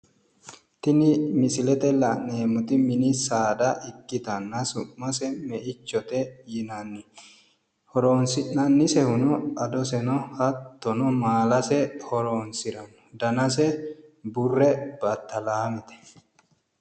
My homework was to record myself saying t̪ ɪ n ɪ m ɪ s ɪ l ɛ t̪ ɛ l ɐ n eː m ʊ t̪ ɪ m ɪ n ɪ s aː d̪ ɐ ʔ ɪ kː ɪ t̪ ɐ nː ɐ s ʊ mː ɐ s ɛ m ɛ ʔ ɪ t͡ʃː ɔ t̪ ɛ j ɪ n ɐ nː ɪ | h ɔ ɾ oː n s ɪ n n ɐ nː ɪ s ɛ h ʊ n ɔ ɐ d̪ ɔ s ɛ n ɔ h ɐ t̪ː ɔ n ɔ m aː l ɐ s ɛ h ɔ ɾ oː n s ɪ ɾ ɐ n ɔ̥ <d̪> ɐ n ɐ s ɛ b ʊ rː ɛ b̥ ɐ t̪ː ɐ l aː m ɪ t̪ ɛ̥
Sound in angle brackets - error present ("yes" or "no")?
no